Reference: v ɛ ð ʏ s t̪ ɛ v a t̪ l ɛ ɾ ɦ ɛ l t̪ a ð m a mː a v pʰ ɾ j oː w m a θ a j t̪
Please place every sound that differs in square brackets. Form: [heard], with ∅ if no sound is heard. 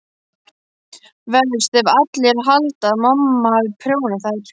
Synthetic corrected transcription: v ɛ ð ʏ s t̪ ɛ v a t̪ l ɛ ɾ ɦ [a] l t̪ a ð m a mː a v pʰ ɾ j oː w [n] a θ a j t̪

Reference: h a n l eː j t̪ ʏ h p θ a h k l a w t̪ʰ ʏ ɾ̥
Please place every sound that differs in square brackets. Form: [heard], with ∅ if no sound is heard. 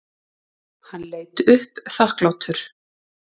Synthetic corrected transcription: h a n l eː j t̪ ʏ h p θ a h k l a w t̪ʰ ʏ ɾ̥

